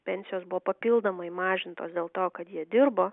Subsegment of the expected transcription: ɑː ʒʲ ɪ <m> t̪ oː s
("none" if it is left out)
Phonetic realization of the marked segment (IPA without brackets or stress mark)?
n